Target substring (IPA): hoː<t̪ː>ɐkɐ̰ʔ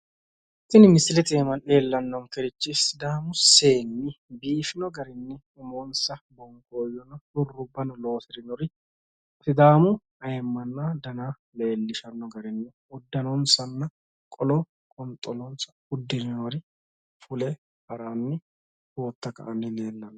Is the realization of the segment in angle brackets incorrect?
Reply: no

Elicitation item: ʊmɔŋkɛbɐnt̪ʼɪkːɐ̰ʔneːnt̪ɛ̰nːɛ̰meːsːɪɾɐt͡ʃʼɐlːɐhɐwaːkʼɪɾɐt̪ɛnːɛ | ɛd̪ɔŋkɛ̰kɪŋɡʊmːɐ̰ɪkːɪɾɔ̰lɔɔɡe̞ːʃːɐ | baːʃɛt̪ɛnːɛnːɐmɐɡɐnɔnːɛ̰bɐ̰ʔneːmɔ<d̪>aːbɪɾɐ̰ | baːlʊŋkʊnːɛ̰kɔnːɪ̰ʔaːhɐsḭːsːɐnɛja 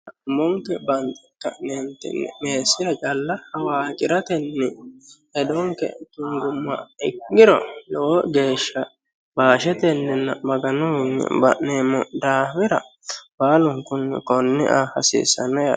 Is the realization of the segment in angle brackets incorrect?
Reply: no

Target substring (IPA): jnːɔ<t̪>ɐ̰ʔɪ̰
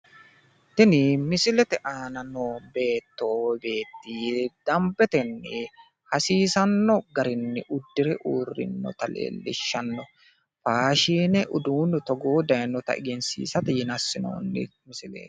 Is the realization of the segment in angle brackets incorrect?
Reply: no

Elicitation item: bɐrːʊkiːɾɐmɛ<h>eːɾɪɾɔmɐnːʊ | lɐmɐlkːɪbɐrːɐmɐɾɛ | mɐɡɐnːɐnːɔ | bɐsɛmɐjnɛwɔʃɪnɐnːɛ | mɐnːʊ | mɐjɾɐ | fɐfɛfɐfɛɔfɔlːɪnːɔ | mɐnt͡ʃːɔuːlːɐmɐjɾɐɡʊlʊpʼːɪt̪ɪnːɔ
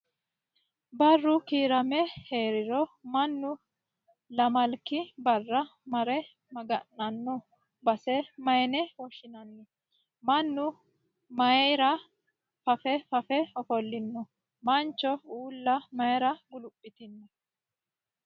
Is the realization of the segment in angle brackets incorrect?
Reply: no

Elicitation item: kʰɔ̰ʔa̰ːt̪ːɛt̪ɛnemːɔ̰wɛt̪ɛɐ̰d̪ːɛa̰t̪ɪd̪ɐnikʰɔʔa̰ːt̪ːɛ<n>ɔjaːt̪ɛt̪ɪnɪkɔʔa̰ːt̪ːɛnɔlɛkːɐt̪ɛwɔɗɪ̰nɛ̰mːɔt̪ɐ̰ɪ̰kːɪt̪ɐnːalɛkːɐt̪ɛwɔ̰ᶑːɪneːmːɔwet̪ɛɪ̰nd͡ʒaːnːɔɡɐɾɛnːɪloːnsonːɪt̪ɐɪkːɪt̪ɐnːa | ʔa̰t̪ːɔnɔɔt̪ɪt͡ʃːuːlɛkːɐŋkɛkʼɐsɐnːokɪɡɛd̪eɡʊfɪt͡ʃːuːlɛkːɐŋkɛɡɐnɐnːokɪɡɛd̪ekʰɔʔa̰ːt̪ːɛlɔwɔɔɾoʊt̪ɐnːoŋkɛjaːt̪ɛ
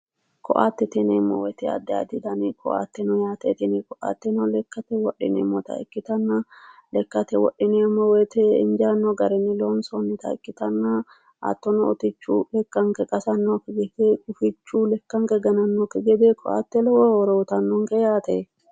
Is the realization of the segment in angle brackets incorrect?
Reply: no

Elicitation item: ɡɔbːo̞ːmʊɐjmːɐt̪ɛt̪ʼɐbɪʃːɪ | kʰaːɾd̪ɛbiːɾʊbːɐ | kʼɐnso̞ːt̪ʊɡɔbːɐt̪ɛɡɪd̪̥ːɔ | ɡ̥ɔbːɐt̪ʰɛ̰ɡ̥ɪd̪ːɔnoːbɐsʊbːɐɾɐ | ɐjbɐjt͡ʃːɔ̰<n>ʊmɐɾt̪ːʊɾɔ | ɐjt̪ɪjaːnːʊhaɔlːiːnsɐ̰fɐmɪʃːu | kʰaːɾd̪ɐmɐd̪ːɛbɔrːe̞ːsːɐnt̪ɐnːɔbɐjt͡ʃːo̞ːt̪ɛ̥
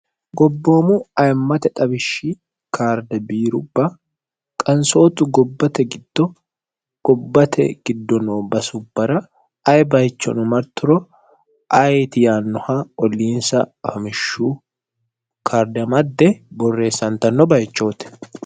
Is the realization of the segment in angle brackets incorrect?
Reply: no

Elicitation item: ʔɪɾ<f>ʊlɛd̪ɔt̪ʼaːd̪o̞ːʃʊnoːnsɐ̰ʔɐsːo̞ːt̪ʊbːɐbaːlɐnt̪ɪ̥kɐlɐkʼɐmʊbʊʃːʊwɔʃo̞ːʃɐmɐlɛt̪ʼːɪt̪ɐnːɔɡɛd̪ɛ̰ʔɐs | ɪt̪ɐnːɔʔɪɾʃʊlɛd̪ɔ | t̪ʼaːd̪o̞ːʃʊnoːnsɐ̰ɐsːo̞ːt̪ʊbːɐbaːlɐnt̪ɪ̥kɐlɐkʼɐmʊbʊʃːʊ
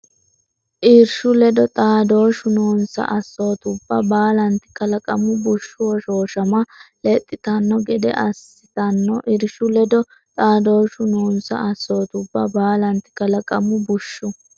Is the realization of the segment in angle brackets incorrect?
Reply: yes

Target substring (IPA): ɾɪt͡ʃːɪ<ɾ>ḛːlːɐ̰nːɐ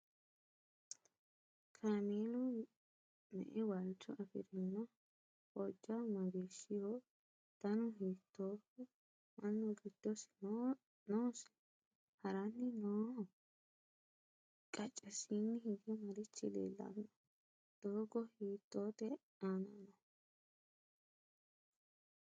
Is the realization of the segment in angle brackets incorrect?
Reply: yes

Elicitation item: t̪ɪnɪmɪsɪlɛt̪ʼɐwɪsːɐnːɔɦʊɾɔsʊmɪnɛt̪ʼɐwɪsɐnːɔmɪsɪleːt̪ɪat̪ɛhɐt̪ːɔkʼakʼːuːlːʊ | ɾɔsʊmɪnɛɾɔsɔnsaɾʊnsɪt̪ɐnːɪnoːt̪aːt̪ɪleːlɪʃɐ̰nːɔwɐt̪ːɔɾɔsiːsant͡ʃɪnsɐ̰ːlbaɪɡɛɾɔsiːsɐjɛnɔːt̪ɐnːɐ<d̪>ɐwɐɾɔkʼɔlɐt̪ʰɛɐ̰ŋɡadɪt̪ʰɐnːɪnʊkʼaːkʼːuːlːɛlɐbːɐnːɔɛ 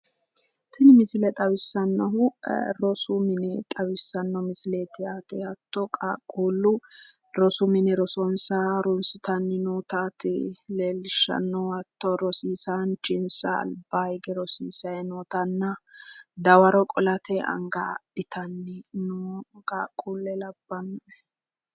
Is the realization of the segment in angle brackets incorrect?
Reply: no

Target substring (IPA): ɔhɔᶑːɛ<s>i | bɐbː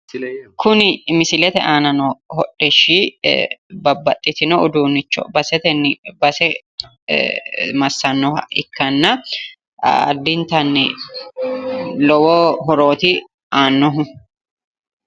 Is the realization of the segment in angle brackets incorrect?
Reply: yes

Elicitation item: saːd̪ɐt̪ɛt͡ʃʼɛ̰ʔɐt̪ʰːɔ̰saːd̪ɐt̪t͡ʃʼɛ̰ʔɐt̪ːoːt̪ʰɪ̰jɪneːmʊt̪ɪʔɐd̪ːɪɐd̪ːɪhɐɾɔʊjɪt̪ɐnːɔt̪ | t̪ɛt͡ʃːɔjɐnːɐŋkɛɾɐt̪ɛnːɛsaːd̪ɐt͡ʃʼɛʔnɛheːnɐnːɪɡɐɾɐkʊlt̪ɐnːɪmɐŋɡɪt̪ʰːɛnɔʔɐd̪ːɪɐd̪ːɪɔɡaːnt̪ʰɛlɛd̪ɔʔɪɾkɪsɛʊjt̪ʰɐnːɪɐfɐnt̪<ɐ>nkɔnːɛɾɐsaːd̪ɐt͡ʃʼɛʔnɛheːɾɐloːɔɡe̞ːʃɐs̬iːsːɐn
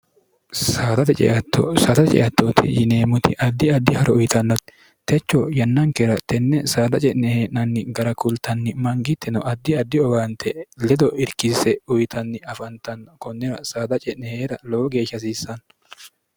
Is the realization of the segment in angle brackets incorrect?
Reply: no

